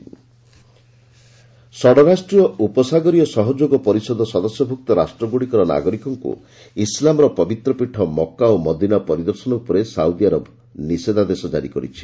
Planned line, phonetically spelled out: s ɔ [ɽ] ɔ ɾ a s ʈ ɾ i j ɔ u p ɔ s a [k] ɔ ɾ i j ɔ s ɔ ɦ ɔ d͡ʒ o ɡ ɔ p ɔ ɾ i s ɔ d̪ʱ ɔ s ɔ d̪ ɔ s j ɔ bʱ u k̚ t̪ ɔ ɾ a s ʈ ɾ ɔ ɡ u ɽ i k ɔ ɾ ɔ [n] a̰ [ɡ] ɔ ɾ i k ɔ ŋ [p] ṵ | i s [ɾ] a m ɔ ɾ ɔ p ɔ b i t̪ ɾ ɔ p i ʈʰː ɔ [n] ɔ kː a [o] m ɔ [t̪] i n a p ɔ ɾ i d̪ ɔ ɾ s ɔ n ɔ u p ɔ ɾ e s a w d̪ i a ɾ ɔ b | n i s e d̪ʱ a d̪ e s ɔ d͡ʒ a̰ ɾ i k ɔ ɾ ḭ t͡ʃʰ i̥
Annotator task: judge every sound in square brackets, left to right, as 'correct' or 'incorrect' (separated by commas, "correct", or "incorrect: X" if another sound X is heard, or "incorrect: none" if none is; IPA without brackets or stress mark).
correct, incorrect: ɡ, correct, correct, incorrect: k, incorrect: l, incorrect: m, correct, incorrect: d̪